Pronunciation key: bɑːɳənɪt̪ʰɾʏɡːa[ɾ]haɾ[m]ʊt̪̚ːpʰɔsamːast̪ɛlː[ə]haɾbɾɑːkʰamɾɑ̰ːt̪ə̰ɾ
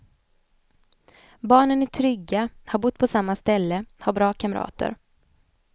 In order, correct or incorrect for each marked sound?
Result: incorrect: none, incorrect: b, correct

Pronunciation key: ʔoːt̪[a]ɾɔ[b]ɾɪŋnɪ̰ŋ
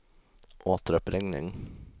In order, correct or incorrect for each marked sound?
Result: incorrect: ə, incorrect: p

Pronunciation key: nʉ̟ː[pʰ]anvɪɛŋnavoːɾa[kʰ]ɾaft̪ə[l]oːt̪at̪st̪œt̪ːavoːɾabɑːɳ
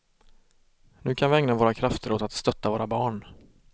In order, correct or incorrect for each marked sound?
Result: incorrect: kʰ, correct, incorrect: ɾ

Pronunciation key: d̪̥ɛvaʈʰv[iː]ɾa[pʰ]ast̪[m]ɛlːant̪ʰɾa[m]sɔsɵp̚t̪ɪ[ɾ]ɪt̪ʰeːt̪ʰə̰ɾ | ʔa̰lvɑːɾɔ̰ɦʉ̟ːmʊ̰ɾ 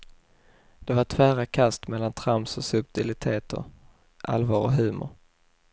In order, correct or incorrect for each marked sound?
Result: incorrect: æː, incorrect: kʰ, correct, correct, incorrect: l

